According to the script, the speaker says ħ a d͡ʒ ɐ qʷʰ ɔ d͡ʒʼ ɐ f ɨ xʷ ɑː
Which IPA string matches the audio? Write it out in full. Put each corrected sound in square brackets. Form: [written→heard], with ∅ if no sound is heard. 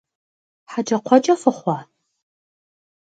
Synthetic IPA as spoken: ħ a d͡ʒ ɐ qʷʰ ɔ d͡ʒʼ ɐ f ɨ [xʷ→χʷ] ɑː